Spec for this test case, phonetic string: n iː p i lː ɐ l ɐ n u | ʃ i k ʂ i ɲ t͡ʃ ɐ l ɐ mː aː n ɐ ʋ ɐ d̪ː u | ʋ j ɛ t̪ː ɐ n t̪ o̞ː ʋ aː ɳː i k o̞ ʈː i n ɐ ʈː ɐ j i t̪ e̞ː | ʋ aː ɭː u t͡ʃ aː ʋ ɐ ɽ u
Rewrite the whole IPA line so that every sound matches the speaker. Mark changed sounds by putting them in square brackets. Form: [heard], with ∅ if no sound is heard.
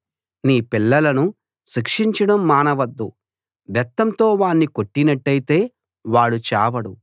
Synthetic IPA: n iː p i lː ɐ l ɐ n u | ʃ i k ʂ i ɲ t͡ʃ ɐ [ɽ] ɐ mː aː n ɐ ʋ ɐ d̪ː u | ʋ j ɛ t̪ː ɐ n t̪ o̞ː ʋ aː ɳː i k o̞ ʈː i n ɐ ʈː ɐ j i t̪ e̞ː | ʋ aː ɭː u t͡ʃ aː ʋ ɐ ɽ u